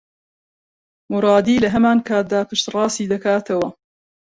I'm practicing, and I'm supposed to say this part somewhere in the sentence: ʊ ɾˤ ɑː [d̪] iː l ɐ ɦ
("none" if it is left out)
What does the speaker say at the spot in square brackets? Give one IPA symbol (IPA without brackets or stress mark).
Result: d̪